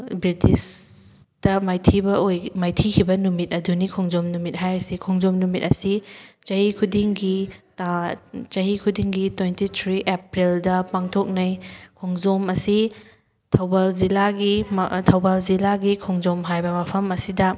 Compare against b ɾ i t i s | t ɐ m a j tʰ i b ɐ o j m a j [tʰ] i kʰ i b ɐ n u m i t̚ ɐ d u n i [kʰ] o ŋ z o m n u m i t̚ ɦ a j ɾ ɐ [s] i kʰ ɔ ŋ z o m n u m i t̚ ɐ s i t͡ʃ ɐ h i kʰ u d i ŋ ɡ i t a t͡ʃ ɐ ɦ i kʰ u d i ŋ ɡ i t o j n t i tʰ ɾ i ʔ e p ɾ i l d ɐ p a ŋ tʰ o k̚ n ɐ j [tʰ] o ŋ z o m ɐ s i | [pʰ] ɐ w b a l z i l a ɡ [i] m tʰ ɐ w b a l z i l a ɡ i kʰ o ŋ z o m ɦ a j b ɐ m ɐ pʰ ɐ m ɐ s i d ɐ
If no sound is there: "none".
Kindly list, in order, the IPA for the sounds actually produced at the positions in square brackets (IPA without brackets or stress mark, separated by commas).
tʰ, kʰ, s, kʰ, tʰ, i